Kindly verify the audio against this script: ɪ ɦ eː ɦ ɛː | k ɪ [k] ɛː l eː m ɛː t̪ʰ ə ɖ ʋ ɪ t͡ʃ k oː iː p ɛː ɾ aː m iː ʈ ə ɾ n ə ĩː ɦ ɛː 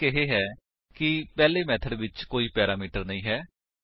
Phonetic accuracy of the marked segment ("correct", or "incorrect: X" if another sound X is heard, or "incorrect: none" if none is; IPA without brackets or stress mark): incorrect: p